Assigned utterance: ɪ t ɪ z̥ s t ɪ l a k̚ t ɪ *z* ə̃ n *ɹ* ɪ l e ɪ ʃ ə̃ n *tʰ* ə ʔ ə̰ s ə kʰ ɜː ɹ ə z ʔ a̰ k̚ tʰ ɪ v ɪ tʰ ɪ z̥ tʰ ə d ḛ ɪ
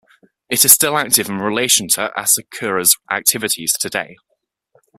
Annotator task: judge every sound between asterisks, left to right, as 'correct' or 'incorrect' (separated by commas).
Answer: incorrect, correct, correct